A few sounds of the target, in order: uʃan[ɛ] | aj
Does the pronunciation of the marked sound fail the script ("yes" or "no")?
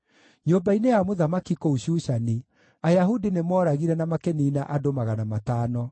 yes